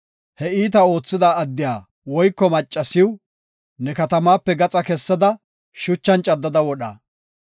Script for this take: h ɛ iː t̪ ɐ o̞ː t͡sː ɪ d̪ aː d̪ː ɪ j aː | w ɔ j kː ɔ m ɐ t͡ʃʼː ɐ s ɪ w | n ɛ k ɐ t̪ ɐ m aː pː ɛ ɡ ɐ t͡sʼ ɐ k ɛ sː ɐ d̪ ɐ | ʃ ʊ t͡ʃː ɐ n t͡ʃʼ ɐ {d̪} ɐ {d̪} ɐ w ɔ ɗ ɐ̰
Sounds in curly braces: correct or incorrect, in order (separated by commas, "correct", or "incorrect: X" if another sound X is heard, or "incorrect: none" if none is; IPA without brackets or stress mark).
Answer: incorrect: d̪ː, correct